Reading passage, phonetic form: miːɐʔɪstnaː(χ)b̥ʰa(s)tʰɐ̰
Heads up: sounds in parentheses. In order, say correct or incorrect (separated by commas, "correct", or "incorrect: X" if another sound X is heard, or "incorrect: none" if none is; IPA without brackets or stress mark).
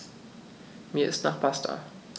correct, correct